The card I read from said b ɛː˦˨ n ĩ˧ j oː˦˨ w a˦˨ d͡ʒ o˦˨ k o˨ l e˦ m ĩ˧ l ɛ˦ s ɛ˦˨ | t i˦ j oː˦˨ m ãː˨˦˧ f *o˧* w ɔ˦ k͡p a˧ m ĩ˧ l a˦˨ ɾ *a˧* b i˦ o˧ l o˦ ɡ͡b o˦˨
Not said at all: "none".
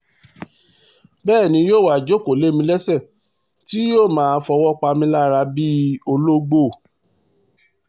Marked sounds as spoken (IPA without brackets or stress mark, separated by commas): ɔ˧, a˧